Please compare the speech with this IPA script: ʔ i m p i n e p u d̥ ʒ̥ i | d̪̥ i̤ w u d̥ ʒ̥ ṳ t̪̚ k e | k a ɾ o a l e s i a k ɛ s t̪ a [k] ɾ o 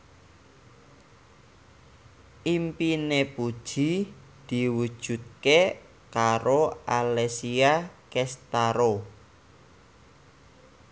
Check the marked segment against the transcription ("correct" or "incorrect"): incorrect